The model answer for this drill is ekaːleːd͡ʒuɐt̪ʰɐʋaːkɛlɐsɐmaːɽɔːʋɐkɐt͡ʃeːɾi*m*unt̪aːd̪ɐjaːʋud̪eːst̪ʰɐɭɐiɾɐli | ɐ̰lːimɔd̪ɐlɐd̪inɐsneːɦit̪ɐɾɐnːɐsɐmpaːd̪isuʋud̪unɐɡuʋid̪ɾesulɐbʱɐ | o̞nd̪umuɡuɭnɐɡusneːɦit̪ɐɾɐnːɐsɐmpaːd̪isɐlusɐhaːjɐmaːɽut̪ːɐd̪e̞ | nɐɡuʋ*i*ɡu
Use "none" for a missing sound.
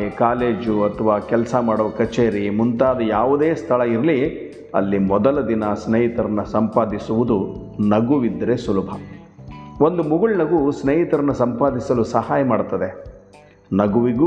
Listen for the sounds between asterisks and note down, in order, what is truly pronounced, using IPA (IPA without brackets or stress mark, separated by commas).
m, i